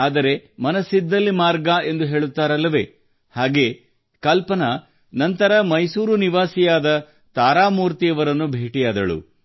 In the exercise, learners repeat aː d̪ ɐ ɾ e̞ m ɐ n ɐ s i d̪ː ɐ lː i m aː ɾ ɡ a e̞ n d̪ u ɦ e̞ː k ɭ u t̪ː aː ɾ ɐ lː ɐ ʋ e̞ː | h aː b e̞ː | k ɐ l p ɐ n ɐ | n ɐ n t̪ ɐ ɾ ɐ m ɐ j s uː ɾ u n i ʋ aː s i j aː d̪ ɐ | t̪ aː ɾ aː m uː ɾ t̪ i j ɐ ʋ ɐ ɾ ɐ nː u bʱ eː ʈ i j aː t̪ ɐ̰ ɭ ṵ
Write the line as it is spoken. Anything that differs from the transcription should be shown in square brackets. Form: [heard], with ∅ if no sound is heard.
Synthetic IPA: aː d̪ ɐ ɾ e̞ m ɐ n ɐ s i d̪ː ɐ lː i m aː ɾ ɡ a e̞ n d̪ u ɦ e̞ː [∅] ɭ u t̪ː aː ɾ ɐ lː ɐ ʋ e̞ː | h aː [ɡ] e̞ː | k ɐ l p ɐ n ɐ | n ɐ n t̪ ɐ ɾ ɐ m ɐ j s uː ɾ u n i ʋ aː s i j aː d̪ ɐ | t̪ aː ɾ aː m uː ɾ t̪ i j ɐ ʋ ɐ ɾ ɐ nː u bʱ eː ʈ i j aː [d̪] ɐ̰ ɭ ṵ